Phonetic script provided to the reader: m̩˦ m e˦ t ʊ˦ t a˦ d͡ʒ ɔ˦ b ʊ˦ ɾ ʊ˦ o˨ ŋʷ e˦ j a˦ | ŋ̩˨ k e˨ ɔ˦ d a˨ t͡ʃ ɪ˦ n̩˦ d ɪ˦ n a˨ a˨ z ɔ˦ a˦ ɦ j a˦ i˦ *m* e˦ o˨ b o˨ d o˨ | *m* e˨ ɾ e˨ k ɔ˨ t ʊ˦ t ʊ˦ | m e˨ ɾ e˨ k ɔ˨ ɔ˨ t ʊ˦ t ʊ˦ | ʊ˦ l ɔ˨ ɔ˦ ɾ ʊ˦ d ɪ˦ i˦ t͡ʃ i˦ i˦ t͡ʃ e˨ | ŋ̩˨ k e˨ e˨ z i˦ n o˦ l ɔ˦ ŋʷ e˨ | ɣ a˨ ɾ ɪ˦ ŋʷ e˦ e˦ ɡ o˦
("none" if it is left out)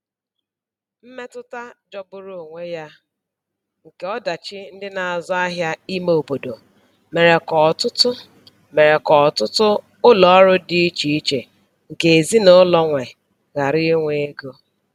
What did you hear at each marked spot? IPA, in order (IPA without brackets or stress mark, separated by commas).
m, m